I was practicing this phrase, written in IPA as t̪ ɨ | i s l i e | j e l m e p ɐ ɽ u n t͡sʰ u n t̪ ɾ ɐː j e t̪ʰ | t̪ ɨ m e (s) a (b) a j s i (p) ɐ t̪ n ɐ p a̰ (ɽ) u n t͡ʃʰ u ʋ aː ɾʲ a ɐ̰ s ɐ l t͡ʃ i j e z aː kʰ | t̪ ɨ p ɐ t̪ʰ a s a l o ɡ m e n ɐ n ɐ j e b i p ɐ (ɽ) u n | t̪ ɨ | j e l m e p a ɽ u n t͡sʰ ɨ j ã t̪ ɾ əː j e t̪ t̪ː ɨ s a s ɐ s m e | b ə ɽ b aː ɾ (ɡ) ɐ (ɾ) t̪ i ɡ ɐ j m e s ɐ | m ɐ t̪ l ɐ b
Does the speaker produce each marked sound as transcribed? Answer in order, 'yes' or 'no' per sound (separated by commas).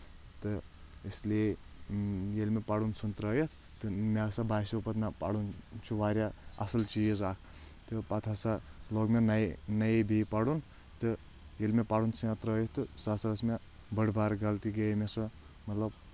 yes, yes, yes, yes, yes, yes, no